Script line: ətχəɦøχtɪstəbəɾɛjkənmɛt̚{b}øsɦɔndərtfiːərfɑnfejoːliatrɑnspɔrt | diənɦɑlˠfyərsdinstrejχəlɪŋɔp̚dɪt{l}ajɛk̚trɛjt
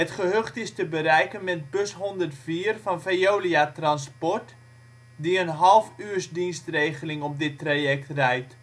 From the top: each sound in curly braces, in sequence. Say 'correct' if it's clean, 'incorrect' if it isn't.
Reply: correct, incorrect: r

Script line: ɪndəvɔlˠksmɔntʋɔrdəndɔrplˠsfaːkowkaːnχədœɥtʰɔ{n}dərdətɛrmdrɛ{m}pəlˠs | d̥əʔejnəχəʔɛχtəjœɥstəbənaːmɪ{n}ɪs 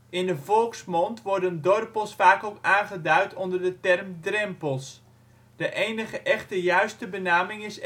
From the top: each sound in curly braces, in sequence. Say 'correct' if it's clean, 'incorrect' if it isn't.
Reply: correct, correct, incorrect: ŋ

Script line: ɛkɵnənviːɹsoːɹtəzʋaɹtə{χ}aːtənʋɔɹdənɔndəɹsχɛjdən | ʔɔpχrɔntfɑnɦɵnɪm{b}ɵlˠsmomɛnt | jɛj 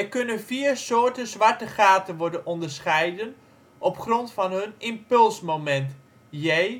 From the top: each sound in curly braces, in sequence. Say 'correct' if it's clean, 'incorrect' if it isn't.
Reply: correct, incorrect: p

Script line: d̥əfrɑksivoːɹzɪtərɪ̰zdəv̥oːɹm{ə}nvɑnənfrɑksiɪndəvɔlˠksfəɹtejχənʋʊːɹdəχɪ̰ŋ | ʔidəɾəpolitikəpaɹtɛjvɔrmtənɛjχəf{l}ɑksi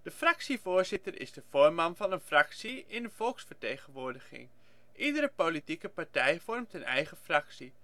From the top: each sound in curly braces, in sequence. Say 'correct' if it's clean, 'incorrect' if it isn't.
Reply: incorrect: ɑ, incorrect: r

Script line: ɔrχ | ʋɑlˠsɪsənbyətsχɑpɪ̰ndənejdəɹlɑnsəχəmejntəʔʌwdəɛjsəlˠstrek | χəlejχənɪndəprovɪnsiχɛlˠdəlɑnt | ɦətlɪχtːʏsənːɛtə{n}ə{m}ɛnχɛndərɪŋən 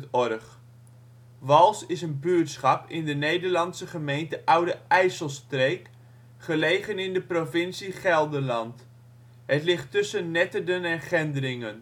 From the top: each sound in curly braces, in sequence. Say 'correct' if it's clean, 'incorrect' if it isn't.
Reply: incorrect: d, incorrect: n

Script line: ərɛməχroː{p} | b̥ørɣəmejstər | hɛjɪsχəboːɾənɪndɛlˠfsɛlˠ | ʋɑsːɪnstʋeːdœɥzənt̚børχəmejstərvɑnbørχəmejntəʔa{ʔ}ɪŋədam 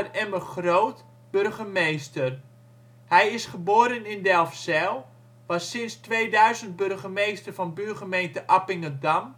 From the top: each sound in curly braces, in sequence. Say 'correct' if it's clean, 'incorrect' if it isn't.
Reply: incorrect: t, incorrect: p

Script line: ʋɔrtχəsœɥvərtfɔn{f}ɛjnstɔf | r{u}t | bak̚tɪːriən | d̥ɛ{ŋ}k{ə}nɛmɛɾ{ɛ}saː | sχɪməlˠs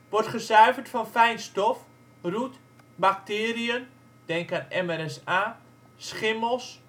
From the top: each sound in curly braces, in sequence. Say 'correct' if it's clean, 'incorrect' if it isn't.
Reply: correct, correct, correct, incorrect: a, correct

